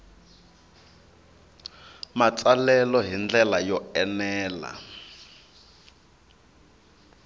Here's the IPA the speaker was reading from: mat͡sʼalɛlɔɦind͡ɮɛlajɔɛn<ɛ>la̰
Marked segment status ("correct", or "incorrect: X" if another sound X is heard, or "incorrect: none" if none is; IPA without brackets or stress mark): incorrect: ɛː